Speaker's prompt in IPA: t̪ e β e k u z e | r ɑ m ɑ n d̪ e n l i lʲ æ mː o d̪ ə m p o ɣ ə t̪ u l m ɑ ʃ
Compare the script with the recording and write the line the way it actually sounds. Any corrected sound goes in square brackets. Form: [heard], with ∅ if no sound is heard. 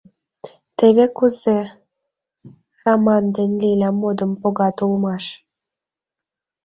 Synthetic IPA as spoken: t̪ e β e k u z e | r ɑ m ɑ n d̪ e n l i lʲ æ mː o d̪ ə m p o ɣ [ɑ] t̪ u l m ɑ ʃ